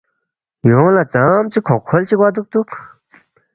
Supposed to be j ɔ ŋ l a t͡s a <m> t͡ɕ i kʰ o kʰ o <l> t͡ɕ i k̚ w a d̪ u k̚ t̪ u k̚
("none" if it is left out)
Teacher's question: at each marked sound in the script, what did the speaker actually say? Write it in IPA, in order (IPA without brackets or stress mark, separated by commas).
m, l